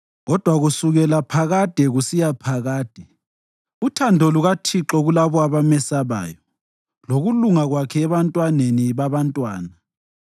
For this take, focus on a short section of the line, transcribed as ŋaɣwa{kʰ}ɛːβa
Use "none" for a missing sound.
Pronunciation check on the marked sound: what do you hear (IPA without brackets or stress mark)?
kʰ